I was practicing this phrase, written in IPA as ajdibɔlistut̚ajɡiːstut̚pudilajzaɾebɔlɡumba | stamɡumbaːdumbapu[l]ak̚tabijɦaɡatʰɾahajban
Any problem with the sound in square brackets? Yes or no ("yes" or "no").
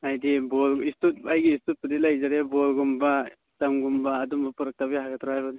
yes